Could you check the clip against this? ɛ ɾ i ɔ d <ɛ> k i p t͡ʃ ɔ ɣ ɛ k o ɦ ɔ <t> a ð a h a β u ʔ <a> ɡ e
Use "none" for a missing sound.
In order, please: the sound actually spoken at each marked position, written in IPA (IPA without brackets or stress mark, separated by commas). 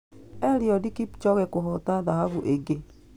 i, t, e